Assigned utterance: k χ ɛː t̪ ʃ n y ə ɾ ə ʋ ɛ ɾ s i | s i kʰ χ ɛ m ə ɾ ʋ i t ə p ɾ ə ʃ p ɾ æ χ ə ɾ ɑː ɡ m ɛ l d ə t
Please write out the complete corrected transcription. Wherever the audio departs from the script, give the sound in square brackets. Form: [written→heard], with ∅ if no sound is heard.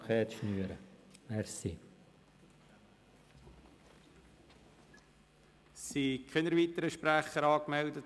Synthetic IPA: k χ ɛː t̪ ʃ n y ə ɾ ə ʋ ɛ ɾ s i | s i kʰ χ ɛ [m→n] ə ɾ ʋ i t ə [p→∅] ɾ ə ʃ p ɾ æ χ ə ɾ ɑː [ɡ→k] m ɛ l d ə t